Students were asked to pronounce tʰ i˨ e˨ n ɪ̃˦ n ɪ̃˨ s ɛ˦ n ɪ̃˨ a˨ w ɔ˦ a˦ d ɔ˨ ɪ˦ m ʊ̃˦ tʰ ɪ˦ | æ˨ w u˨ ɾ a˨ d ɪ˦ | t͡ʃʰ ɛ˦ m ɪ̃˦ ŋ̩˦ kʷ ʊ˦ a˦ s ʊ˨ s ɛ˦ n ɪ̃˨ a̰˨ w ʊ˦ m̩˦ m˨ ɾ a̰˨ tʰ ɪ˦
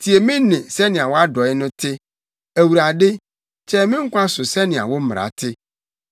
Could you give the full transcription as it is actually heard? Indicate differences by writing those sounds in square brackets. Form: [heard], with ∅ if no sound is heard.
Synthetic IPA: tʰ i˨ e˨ [m] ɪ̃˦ n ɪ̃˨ s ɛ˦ n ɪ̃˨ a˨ w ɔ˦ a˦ d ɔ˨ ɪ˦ [n] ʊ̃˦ tʰ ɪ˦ | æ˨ w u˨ ɾ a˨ d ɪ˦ | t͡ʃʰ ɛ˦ m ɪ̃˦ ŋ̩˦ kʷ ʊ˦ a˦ s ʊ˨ s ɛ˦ n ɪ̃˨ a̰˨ w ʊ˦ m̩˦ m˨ ɾ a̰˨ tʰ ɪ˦